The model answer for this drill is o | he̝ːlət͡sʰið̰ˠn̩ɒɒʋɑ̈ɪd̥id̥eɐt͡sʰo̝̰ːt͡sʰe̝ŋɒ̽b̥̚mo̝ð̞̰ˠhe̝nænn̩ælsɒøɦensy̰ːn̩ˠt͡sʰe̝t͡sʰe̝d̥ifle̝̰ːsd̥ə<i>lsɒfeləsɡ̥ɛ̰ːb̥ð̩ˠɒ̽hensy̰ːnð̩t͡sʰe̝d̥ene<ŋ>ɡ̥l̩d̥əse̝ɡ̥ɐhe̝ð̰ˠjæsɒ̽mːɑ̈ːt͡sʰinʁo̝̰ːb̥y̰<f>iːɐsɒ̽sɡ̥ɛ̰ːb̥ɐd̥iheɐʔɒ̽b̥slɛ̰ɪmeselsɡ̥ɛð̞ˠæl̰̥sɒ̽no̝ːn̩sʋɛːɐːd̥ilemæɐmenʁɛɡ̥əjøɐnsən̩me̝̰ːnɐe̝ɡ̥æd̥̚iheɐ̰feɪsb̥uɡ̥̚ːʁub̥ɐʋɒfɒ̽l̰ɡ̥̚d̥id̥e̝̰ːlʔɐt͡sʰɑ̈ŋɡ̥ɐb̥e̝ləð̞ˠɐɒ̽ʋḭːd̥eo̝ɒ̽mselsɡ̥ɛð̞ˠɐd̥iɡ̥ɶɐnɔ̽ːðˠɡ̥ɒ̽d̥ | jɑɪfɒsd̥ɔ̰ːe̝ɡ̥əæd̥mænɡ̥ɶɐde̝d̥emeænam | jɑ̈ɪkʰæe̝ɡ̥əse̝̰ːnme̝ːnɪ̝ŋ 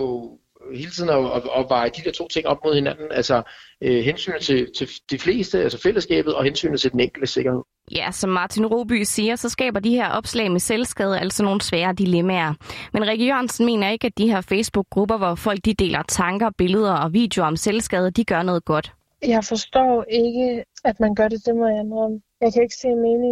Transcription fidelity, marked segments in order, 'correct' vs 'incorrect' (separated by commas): incorrect, correct, incorrect